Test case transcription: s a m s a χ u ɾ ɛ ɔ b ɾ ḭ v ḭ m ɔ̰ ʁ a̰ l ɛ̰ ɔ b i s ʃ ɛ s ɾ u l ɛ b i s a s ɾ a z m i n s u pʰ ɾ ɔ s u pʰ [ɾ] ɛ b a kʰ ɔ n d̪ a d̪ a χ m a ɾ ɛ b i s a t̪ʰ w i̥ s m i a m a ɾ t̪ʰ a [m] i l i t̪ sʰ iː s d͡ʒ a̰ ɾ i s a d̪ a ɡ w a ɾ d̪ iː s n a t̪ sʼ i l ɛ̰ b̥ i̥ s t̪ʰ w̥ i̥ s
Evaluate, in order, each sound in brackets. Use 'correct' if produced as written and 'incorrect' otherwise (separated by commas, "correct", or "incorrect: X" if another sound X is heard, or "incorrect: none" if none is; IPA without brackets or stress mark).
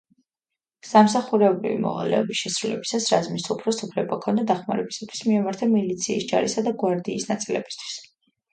incorrect: l, correct